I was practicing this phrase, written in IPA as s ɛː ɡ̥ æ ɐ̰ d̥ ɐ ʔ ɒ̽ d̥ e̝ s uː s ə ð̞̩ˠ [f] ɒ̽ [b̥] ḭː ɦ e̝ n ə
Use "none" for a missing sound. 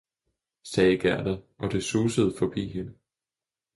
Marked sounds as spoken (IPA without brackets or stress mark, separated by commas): f, b̥